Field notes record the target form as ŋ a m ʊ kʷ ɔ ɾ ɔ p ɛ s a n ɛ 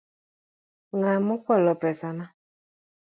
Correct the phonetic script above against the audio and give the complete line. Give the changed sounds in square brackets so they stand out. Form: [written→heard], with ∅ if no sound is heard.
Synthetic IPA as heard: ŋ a m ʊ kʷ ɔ [ɾ→l] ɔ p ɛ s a n [ɛ→a]